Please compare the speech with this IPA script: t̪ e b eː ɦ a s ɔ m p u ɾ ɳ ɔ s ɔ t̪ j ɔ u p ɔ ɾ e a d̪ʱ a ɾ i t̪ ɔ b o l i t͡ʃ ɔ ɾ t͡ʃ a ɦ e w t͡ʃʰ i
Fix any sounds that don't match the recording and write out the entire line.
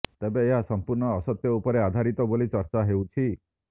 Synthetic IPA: t̪ e b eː ɦ a s ɔ m p u ɾ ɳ ɔː s ɔ t̪ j ɔ u p ɔ ɾ e a d̪ʱ a ɾ i t̪ ɔ b o l i t͡ʃ ɔ ɾ t͡ʃ a ɦ e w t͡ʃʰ i